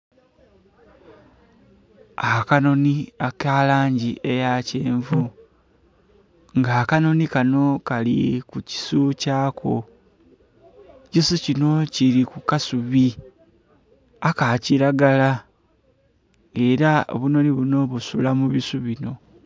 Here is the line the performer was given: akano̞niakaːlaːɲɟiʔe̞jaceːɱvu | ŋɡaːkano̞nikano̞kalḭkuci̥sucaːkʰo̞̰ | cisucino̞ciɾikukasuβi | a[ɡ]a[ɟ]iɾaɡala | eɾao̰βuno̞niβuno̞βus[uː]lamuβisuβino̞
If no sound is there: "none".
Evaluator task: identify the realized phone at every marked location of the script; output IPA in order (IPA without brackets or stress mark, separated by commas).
k, c, u